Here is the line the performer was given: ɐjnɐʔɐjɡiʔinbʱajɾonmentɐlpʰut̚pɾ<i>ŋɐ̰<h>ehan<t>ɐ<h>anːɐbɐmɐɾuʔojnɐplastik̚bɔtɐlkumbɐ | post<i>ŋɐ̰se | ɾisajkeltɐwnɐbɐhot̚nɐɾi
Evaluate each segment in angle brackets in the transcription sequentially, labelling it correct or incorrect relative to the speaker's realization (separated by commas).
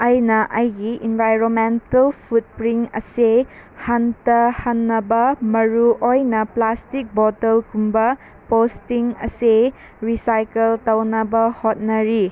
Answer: correct, incorrect, correct, correct, correct